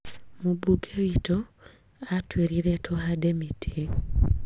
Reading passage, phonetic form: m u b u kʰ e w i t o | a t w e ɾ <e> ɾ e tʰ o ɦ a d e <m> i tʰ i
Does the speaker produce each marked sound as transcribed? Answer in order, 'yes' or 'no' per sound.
no, yes

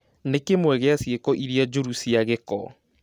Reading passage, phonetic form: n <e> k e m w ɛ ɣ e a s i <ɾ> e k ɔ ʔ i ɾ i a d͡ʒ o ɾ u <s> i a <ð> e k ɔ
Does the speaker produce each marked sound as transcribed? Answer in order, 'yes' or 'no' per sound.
yes, no, yes, no

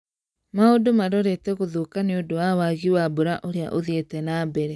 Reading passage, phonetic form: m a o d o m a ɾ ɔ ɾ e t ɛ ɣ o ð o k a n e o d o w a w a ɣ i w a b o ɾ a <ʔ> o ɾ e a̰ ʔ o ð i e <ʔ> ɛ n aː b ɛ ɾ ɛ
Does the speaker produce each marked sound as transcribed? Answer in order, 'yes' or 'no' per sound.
yes, no

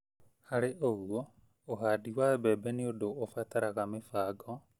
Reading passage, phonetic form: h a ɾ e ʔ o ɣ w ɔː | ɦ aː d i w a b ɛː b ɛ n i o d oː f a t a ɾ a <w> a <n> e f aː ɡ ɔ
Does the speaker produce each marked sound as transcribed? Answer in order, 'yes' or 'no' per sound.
no, no

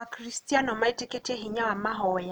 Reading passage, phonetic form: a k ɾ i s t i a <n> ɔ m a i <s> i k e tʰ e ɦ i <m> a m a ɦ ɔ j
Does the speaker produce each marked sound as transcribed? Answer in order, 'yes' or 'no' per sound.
yes, no, no

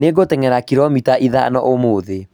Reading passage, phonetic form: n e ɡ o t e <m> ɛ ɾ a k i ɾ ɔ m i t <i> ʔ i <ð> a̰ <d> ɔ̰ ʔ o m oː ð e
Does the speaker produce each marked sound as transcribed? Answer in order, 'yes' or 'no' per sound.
no, no, yes, no

